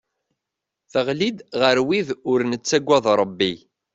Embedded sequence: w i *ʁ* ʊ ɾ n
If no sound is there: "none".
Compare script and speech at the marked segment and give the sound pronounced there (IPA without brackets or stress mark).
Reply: ð